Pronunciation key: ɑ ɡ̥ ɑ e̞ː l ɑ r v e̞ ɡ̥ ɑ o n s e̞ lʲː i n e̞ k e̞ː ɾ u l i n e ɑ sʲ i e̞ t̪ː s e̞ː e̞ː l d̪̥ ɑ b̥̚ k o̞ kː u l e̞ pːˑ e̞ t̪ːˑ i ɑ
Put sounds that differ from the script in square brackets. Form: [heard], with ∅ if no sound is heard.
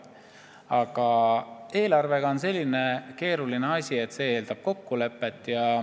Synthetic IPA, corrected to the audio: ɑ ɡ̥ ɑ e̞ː l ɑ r v e̞ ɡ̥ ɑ o n s e̞ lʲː i n e̞ k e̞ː ɾ u l i n e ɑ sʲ i e̞ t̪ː s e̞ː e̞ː l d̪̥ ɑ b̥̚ k o̞ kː u l e̞ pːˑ e̞ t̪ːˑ [j] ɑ